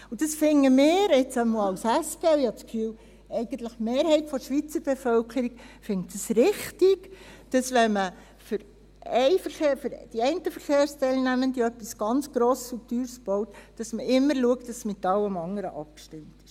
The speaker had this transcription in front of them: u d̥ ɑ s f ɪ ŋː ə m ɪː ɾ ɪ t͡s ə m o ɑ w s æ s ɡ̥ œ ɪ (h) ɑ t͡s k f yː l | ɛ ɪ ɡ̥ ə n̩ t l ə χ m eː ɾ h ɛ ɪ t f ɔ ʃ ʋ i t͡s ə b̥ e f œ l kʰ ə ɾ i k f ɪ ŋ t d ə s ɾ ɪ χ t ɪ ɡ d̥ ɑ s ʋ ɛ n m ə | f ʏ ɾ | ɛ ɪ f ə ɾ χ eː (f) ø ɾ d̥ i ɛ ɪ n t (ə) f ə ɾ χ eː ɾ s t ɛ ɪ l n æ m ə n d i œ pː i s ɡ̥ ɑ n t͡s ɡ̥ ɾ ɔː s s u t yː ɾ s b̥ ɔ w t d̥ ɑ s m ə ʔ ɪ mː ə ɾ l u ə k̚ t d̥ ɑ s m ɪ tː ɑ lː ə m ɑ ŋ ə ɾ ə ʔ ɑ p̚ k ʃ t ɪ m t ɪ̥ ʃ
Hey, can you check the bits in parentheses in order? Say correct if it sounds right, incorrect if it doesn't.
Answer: correct, correct, correct

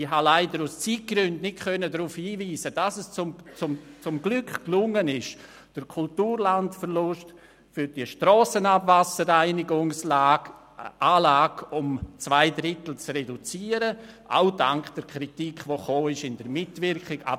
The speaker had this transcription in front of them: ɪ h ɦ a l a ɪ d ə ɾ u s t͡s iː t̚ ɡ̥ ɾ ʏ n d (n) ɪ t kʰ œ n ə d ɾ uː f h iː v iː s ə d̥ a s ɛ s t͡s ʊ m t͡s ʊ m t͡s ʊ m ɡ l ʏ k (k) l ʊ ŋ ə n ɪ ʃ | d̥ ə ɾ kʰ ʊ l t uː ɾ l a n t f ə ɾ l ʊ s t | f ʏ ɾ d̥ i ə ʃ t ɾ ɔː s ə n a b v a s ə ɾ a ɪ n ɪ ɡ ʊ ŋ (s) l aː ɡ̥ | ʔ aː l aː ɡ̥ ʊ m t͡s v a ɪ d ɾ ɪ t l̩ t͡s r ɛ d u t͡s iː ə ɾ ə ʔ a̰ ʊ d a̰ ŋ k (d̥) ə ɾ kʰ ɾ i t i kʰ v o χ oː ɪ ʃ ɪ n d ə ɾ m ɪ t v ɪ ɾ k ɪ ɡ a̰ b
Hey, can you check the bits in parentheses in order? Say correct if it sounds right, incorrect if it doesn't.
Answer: correct, correct, correct, correct

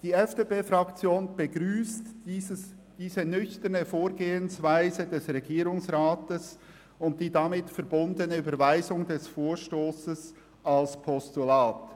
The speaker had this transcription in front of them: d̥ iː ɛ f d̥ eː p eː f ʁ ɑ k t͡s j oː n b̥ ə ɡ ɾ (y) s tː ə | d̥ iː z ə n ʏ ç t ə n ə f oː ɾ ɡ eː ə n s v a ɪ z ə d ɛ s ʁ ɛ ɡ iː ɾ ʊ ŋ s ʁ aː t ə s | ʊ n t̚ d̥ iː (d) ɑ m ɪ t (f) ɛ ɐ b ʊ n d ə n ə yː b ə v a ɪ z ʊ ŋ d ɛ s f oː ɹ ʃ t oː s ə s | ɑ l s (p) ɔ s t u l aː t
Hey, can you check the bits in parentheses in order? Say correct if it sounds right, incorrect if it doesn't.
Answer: incorrect: yː, correct, correct, incorrect: pʰ

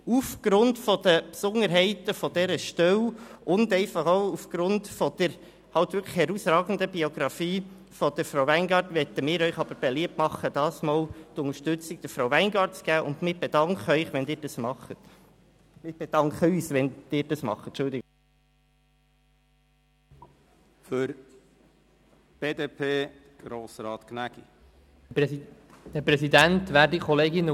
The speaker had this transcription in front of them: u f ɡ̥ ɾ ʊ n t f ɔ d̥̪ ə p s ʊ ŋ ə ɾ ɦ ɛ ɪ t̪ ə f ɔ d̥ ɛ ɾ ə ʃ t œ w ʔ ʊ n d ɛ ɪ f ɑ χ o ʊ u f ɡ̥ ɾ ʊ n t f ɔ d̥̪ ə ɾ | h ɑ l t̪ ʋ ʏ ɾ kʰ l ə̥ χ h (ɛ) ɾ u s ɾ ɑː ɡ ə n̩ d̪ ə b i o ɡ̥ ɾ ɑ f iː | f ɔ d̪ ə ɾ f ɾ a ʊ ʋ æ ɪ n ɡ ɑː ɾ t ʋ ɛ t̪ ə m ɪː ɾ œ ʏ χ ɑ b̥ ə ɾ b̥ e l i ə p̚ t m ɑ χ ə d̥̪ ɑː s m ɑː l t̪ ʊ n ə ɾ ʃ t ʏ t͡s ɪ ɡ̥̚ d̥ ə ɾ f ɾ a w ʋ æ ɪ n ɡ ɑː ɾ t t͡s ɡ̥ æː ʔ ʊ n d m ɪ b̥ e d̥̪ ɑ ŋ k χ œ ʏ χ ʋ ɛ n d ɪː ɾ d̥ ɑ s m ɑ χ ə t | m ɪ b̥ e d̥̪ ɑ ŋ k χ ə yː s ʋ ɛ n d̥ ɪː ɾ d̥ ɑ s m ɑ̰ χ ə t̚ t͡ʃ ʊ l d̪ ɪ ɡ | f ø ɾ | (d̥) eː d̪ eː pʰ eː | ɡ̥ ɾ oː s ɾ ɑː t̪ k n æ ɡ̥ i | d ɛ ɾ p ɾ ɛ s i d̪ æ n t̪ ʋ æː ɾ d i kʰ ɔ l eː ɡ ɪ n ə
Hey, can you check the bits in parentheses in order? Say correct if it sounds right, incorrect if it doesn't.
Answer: correct, incorrect: b̥

